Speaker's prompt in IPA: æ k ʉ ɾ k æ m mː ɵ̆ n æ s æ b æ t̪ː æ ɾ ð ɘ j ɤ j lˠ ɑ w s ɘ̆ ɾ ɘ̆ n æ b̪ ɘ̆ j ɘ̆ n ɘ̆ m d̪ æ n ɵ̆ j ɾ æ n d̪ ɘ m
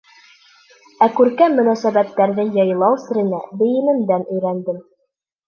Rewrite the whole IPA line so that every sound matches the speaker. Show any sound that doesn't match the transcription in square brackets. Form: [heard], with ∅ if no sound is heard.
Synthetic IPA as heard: æ k ʉ ɾ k æ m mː ɵ̆ n æ s æ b æ t̪ː æ ɾ ð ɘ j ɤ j lˠ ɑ w s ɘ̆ ɾ ɘ̆ n æ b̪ ɘ̆ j ɘ̆ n ɘ̆ m d̪ æ n ɵ̆ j ɾ æ n d̪ ɘ m